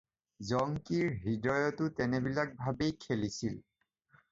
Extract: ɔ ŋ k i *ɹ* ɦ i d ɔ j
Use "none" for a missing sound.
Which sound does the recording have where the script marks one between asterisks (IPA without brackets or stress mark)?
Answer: ɹ